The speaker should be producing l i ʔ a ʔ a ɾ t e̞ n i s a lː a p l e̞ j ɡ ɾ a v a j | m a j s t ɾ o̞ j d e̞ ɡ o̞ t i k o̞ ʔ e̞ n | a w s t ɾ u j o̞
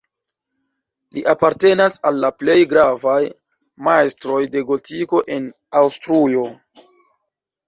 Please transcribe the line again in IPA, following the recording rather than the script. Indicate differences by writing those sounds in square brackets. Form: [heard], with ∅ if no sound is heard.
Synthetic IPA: l i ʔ a [p] a ɾ t e̞ n [a] s a lː a p l e̞ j ɡ ɾ a v a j | m a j s t ɾ o̞ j d e̞ ɡ o̞ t i k o̞ ʔ e̞ n | a w s t ɾ u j o̞